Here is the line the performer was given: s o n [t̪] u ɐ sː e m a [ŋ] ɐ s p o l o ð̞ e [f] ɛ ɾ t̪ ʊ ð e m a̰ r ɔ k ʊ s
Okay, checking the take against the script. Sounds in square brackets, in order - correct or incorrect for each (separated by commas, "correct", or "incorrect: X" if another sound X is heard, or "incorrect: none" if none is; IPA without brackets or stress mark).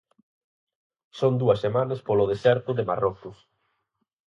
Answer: incorrect: d̪, incorrect: n, incorrect: s